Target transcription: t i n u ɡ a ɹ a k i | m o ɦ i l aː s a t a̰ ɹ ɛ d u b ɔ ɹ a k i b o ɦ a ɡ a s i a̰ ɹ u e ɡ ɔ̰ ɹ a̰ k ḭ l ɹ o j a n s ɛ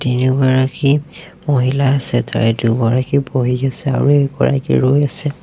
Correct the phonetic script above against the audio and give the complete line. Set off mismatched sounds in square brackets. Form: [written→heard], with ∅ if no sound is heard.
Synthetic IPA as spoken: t i n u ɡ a ɹ a k i | m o ɦ i l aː s [a→ɛ] t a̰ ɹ ɛ d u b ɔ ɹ a k i b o ɦ [a→i] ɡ a s [i→ɛ] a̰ ɹ u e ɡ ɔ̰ ɹ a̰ k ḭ [l→∅] ɹ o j a [n→∅] s ɛ

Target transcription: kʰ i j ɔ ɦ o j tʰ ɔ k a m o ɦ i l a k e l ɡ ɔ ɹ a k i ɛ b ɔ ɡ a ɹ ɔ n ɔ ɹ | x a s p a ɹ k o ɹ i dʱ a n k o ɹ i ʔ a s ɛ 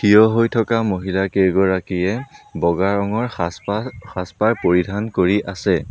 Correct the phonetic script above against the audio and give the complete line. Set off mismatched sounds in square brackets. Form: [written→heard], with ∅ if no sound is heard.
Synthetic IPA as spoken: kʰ i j ɔ ɦ o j tʰ ɔ k a m o ɦ i l a k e [l→∅] ɡ ɔ ɹ a k i ɛ b ɔ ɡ a ɹ ɔ [n→ŋ] ɔ ɹ | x a s p a ɹ [k→p] o ɹ i dʱ a n k o ɹ i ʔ a s ɛ

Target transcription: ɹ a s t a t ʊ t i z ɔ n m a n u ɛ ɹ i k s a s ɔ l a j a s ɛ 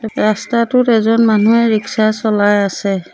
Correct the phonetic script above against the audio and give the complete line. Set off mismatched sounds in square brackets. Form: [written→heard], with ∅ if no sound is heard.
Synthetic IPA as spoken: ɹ a s t a t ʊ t [i→ɛ] z ɔ n m a n u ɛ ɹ i k s a s ɔ l a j a s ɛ

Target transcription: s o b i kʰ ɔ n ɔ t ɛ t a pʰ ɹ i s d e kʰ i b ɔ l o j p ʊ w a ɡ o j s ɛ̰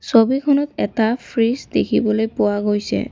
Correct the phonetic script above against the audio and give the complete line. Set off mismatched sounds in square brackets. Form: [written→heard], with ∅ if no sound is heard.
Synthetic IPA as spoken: s o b i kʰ ɔ n ɔ t ɛ t a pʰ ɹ i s d e kʰ i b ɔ l o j p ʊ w a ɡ o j s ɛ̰

